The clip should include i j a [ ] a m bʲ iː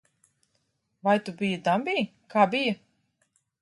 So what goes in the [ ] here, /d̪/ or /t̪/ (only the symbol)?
d̪